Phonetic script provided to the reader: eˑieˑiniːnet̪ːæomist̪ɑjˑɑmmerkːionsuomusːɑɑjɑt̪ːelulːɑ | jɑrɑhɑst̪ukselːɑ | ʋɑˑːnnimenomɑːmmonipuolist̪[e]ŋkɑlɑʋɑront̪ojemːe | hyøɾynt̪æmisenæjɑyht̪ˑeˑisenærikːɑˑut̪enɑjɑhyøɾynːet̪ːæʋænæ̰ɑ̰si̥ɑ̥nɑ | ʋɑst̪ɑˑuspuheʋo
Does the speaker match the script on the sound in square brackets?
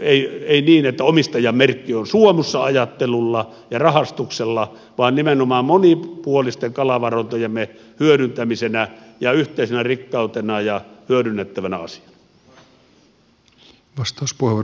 yes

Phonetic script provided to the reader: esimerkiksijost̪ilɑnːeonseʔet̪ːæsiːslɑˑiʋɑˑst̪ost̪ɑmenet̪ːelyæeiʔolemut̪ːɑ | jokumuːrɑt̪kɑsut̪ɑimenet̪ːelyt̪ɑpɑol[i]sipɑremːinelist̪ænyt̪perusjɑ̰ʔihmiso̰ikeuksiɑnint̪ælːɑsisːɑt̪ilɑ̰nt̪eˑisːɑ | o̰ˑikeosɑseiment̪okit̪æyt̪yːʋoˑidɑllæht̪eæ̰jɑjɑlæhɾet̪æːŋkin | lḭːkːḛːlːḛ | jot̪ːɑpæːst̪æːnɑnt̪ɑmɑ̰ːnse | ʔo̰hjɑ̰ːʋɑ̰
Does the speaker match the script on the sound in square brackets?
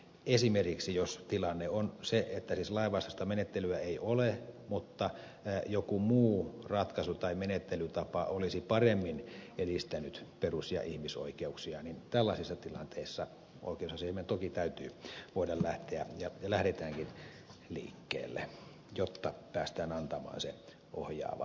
yes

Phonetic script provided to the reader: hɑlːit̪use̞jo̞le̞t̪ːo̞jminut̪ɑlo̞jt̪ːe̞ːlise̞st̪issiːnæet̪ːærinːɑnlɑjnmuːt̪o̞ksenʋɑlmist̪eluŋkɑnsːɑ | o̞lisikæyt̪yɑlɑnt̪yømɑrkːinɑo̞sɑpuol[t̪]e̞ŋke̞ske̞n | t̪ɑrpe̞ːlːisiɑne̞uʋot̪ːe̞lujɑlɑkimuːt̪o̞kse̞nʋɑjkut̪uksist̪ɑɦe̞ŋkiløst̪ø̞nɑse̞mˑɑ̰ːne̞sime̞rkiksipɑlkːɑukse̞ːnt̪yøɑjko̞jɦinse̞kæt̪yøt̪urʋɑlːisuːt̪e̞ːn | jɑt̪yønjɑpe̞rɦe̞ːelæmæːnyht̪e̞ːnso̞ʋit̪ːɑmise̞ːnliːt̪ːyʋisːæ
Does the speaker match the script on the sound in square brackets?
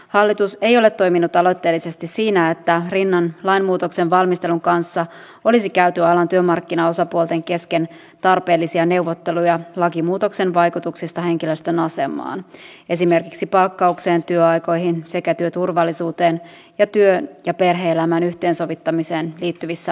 yes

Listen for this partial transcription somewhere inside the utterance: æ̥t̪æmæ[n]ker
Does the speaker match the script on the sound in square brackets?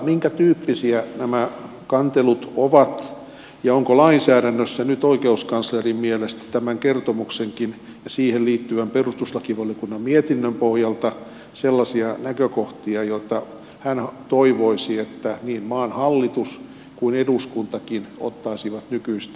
no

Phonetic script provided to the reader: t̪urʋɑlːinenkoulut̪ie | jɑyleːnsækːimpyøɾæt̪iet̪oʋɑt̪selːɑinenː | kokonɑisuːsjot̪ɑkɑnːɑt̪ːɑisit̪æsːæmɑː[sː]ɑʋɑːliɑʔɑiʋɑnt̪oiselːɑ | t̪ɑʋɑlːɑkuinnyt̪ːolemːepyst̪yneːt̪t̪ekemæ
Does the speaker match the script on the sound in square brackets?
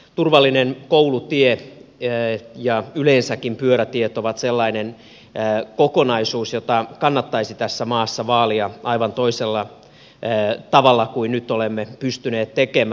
yes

